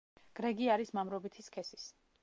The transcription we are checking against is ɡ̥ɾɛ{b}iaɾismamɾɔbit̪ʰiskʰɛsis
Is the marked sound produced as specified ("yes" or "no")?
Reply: no